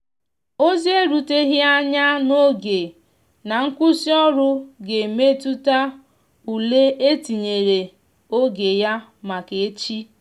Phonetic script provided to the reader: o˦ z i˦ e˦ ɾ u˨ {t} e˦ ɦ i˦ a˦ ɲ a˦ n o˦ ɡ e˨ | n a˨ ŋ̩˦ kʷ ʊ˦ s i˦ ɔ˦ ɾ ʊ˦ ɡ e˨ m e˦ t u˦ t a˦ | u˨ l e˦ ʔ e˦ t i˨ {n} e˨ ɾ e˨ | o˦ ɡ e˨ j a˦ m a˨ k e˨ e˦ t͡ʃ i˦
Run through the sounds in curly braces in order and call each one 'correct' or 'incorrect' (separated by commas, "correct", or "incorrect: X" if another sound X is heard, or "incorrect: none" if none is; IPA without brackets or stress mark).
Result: correct, incorrect: ɲ